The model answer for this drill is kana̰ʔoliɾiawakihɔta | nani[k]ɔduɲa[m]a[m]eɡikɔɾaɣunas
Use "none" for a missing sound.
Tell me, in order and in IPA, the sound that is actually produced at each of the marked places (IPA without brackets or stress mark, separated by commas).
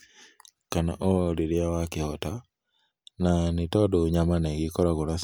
t, m, n